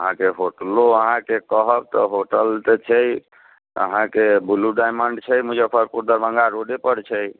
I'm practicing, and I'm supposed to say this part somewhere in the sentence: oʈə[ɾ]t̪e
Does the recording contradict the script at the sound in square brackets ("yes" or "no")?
yes